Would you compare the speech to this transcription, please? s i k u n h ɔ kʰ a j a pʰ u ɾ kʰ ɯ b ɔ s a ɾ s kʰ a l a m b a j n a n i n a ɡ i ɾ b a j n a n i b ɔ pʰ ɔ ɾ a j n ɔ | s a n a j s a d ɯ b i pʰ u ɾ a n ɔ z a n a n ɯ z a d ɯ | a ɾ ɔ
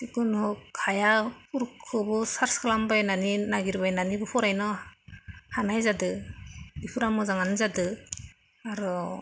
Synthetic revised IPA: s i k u n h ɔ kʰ a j a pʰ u ɾ kʰ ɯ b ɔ s a ɾ s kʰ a l a m b a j n a n i n a ɡ i ɾ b a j n a n i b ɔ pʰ ɔ ɾ a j n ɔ | h a n a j z a d ɯ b i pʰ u ɾ a m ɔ z a ŋ a n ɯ z a d ɯ | a ɾ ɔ

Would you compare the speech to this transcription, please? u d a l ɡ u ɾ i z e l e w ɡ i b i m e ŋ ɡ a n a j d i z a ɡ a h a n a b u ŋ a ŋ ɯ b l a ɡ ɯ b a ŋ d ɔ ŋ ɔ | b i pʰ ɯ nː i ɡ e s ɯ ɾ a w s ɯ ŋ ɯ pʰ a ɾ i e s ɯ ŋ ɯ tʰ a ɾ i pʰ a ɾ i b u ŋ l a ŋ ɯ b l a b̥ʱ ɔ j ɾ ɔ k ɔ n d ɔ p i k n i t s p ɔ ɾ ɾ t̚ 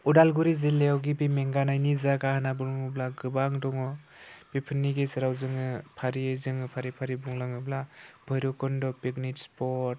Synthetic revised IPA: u d a l ɡ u ɾ i z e l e w ɡ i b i m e ŋ ɡ a n a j n i z a ɡ a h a n a b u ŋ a ŋ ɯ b l a ɡ ɯ b a ŋ d ɔ ŋ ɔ | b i pʰ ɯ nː i ɡ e s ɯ ɾ a w z ɯ ŋ ɯ pʰ a ɾ i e z ɯ ŋ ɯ pʰ a ɾ i pʰ a ɾ i b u ŋ l a ŋ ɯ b l a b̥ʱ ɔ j ɾ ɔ k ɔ n d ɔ p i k n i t s p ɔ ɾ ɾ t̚

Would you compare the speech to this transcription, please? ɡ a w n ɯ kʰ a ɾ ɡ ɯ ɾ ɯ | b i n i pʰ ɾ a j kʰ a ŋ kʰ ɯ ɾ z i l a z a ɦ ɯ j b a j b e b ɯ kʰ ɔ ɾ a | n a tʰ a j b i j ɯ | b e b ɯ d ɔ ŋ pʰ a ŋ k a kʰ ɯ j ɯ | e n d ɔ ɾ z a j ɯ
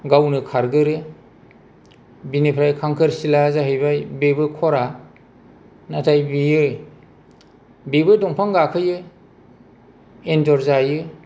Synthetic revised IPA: ɡ a w n ɯ kʰ a ɾ ɡ ɯ ɾ ɯ | b i n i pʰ ɾ a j kʰ a ŋ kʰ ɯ ɾ s i l a z a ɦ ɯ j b a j b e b ɯ kʰ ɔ ɾ a | n a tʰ a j b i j ɯ | b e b ɯ d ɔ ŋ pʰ a ŋ ɡ a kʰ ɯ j ɯ | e n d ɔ ɾ z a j ɯ

